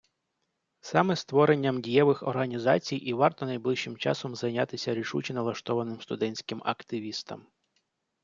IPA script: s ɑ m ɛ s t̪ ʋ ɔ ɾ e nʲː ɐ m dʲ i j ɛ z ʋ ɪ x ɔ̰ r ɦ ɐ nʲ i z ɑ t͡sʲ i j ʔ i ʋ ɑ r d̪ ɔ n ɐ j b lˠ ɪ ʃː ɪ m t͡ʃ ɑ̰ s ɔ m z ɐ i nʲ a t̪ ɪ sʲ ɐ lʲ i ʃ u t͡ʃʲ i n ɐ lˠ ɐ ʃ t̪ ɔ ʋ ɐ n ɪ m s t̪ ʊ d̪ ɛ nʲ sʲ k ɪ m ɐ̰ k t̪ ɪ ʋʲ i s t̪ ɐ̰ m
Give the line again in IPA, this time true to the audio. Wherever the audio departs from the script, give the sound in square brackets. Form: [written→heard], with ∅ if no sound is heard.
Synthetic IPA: s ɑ m ɛ s t̪ ʋ ɔ ɾ e nʲː ɐ m dʲ i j ɛ [z→∅] ʋ ɪ x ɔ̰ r ɦ ɐ nʲ i z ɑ t͡sʲ i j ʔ i ʋ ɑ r [d̪→t̪] ɔ n ɐ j b lˠ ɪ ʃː ɪ m t͡ʃ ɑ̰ s ɔ m z ɐ [i→j] nʲ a t̪ ɪ sʲ ɐ [lʲ→ɾʲ] i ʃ u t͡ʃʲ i n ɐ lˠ ɐ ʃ t̪ ɔ ʋ ɐ n ɪ m s t̪ ʊ d̪ ɛ nʲ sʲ k ɪ m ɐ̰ k t̪ ɪ ʋʲ i s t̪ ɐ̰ m